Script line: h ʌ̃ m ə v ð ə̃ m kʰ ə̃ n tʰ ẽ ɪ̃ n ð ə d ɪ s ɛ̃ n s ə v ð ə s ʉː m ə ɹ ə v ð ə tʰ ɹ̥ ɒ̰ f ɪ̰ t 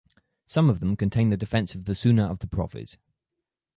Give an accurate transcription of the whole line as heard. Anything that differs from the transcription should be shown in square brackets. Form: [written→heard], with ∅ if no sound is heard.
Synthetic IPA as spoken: [h→s] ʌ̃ m ə v ð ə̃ m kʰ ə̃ n tʰ ẽ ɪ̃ n ð ə d ɪ [s→f] ɛ̃ n s ə v ð ə s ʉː [m→n] ə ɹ ə v ð ə [tʰ→pʰ] ɹ̥ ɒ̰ f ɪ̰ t